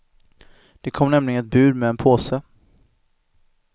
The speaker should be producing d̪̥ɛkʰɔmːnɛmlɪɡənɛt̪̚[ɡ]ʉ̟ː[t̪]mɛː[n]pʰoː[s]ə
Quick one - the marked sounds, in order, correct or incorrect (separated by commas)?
incorrect, incorrect, correct, correct